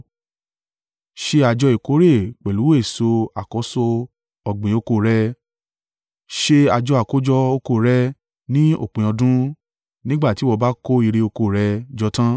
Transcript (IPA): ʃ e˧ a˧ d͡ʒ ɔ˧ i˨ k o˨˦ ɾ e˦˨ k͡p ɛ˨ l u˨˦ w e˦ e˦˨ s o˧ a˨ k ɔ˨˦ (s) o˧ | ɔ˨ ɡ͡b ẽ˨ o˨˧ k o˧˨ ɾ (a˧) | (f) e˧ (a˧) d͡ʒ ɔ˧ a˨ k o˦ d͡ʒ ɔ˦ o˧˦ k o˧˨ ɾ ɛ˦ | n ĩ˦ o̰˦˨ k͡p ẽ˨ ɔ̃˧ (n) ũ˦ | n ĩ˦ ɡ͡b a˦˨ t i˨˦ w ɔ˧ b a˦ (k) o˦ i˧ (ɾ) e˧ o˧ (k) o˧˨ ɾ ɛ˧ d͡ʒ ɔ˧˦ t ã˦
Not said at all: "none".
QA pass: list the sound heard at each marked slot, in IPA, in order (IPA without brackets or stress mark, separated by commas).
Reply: s, ɛ˧, ʃ, a˧, d, k, ɾ, k